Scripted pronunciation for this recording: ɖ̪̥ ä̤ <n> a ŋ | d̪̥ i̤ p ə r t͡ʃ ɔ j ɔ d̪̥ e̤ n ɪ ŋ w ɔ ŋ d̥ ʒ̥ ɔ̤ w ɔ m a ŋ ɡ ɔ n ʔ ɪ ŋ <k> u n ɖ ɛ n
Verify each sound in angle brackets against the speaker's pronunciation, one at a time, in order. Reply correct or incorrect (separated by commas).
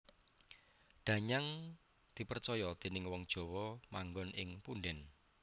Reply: incorrect, incorrect